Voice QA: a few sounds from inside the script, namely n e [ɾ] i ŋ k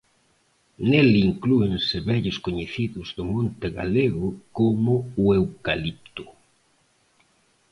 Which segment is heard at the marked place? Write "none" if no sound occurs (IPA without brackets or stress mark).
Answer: l